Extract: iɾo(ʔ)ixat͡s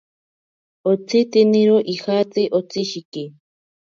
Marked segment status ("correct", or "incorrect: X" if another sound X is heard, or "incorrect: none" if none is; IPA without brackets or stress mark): correct